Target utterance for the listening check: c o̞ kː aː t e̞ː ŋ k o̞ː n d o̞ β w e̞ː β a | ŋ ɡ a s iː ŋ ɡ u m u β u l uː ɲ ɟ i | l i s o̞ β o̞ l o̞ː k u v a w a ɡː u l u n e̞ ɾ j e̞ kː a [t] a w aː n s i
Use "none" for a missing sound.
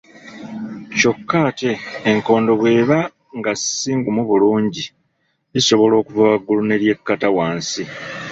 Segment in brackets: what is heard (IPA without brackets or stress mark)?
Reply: t